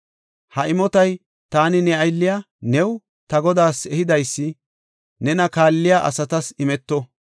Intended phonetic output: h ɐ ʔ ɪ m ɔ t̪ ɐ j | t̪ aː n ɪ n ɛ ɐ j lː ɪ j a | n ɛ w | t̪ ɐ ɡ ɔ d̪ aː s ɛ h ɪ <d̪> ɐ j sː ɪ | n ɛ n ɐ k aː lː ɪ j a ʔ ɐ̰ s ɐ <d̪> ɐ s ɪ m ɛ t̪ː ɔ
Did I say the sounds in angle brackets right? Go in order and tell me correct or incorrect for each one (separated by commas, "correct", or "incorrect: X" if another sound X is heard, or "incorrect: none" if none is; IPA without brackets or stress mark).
correct, incorrect: t̪